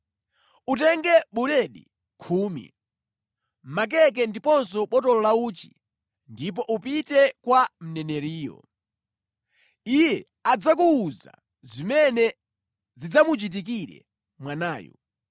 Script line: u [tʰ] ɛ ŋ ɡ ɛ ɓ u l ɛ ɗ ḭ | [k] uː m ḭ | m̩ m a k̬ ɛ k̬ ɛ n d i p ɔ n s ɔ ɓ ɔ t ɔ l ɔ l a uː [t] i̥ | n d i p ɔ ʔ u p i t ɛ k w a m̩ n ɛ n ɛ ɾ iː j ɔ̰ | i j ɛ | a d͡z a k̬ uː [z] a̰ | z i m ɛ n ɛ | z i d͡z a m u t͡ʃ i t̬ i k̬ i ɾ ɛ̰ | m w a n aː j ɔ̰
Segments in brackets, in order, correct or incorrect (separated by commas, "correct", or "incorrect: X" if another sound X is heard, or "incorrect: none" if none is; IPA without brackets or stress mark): incorrect: t, incorrect: kʰ, incorrect: t͡ʃ, correct